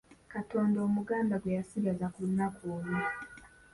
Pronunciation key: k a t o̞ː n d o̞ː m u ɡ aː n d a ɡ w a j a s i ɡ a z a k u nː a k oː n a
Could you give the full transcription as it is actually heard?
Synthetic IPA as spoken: k a t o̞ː n d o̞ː m u ɡ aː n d a ɡ w e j a s i ɡ a z a k u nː a k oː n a